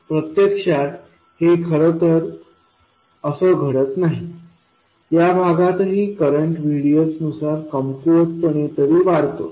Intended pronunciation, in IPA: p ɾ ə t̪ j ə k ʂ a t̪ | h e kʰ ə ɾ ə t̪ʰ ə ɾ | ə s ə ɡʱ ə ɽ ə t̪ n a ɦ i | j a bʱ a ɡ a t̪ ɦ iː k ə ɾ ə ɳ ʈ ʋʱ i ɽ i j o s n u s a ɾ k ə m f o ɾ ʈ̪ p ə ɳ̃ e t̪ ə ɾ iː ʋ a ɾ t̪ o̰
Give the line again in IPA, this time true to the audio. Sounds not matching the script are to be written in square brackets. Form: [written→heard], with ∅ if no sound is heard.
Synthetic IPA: p ɾ ə t̪ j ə k ʂ a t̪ | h e kʰ ə ɾ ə [t̪ʰ→t̪] ə ɾ | ə s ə ɡʱ ə ɽ ə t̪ n a ɦ i | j a bʱ a ɡ a t̪ ɦ iː k ə ɾ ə ɳ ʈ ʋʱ i ɽ i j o s n u s a ɾ k ə m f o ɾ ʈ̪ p ə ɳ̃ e t̪ ə ɾ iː ʋ a ɾ t̪ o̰